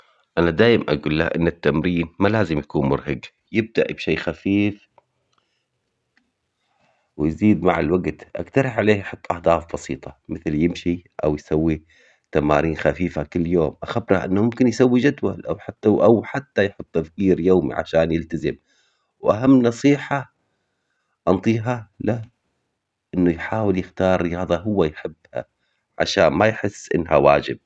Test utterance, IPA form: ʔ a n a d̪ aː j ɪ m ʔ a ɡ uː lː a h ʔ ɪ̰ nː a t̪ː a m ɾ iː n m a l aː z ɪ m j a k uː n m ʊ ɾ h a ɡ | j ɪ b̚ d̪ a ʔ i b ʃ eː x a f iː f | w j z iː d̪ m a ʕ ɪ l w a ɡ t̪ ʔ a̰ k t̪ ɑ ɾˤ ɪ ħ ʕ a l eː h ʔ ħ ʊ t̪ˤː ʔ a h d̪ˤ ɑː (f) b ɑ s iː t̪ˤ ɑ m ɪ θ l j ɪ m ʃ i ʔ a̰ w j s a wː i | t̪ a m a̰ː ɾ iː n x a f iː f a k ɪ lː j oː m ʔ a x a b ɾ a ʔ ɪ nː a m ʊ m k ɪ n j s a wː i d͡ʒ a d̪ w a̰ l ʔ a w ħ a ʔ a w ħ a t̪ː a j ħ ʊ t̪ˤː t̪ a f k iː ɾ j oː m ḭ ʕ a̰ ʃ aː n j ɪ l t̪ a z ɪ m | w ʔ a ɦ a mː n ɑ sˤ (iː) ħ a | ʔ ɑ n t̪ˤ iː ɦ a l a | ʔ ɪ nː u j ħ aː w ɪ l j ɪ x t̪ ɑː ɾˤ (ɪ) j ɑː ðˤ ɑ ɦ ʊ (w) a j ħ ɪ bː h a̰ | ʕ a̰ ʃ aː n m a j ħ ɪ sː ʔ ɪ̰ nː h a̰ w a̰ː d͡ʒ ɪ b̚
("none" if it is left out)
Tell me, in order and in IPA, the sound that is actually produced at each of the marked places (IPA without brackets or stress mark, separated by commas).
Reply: f, iː, ɪ, wː